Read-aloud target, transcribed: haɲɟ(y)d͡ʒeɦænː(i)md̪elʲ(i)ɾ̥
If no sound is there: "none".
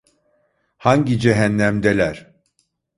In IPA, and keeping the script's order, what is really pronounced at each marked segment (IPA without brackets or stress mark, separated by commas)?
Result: i, æ, æ